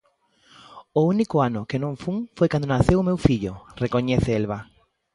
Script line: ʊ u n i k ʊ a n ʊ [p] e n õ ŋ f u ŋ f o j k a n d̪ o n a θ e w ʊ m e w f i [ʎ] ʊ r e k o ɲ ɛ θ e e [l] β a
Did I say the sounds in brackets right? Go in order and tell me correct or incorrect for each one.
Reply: incorrect: k, correct, correct

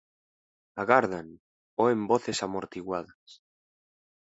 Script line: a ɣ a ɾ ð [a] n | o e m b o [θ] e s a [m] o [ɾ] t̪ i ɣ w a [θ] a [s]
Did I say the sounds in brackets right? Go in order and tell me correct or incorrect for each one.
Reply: correct, correct, correct, correct, incorrect: ð, correct

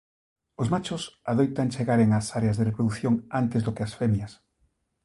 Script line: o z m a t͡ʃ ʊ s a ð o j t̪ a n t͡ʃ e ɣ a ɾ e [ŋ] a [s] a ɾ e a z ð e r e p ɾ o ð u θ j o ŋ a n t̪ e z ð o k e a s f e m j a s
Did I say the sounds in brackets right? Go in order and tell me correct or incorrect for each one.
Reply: correct, correct

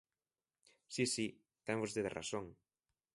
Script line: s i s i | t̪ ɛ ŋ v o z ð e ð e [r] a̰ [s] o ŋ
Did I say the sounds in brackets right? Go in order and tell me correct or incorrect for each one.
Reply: correct, correct

